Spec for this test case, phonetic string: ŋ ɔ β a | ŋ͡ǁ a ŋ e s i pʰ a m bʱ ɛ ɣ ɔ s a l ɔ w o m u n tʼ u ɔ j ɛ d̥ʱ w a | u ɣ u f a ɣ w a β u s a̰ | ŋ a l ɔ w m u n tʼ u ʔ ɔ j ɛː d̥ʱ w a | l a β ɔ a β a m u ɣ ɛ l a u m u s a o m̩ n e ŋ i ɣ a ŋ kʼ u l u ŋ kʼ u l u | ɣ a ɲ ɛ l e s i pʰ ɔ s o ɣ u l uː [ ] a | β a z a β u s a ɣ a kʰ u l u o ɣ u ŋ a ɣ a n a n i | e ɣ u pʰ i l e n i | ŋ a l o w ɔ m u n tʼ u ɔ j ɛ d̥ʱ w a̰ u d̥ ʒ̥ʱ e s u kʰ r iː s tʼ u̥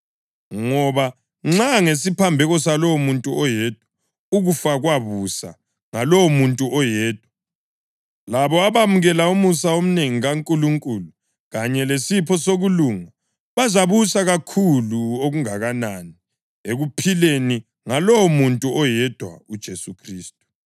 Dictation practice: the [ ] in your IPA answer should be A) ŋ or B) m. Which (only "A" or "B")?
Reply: A